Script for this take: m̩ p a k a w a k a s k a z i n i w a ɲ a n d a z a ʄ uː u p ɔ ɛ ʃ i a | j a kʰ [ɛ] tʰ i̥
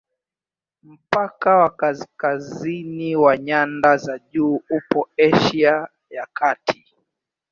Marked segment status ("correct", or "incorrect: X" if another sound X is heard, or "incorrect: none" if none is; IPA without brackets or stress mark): incorrect: a